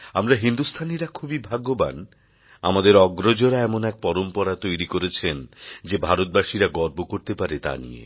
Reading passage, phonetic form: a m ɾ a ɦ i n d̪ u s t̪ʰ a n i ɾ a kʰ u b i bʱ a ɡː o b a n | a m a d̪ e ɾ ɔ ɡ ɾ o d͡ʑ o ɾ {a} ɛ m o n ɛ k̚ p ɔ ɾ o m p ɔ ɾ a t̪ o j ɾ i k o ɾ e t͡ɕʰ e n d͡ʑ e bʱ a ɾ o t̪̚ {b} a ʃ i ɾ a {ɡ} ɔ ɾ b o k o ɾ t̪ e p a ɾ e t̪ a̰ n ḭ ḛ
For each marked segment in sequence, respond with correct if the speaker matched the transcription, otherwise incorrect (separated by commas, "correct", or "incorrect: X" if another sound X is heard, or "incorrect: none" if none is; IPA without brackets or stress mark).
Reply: correct, correct, correct